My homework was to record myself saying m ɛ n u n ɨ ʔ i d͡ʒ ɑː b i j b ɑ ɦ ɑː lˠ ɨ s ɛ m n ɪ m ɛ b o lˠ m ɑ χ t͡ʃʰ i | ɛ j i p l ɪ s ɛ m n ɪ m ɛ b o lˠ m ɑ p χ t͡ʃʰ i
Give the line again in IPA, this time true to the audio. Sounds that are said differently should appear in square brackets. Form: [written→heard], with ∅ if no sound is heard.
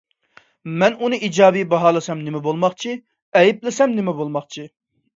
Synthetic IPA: m ɛ n u n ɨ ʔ i d͡ʒ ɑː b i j b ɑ ɦ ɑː lˠ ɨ s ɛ m n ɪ m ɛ b o lˠ m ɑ χ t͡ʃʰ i | ɛ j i p l ɪ s ɛ m n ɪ m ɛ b o lˠ m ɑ [p→∅] χ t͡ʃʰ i